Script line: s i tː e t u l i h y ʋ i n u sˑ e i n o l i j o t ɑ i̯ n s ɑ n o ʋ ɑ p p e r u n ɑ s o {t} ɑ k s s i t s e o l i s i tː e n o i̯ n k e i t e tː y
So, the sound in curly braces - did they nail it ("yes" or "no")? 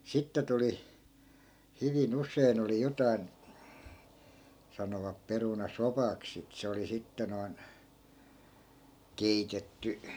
no